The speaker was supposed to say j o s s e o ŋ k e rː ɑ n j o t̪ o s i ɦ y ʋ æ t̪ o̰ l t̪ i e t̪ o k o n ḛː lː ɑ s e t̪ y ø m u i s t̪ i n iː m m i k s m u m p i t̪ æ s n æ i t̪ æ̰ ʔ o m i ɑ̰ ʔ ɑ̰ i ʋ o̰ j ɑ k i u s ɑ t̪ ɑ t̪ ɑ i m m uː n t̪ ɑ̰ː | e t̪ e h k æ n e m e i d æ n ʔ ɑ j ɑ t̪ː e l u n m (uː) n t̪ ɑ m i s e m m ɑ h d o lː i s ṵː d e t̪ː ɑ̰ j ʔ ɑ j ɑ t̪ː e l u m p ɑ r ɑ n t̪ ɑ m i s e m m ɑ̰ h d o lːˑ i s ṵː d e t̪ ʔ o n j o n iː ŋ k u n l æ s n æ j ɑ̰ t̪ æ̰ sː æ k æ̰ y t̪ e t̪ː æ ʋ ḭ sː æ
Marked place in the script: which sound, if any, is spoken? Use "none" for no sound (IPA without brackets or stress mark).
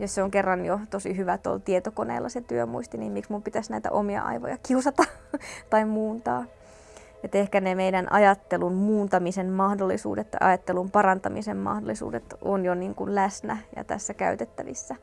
uː